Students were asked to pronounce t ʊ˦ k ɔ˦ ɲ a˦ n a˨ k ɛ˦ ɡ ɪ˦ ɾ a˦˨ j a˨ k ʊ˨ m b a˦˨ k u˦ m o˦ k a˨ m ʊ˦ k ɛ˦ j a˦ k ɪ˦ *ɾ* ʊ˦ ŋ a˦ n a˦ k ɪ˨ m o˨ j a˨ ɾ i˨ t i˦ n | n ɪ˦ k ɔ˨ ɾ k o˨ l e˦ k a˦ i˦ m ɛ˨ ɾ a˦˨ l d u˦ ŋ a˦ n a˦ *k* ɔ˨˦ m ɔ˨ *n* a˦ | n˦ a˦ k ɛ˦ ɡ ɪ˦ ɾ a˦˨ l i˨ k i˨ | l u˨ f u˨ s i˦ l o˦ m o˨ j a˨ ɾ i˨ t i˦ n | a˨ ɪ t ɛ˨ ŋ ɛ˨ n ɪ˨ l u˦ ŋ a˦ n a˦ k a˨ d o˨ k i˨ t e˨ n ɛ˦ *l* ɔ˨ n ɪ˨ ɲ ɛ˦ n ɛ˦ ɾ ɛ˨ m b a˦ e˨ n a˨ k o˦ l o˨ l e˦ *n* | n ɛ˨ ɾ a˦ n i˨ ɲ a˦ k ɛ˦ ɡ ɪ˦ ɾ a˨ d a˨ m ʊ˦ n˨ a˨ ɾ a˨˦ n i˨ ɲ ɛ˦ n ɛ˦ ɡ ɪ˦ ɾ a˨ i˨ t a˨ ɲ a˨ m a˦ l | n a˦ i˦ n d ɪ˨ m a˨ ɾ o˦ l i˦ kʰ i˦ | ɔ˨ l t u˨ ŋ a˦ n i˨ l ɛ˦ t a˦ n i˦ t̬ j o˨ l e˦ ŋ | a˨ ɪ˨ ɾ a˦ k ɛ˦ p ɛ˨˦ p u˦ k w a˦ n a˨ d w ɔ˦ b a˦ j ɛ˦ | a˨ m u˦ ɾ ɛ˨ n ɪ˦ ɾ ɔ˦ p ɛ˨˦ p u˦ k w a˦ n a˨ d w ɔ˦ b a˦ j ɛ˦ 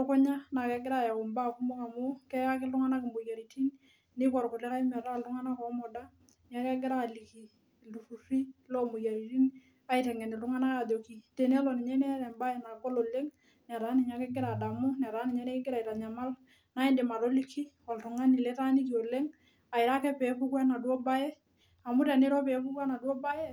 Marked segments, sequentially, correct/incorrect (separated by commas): incorrect, correct, incorrect, correct, incorrect